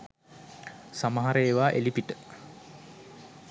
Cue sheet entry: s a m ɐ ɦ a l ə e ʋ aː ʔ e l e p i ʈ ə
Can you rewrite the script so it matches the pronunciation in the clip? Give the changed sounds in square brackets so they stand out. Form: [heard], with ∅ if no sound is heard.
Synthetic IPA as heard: s a m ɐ ɦ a [ɾ] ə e ʋ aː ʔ e l [i] p i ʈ ə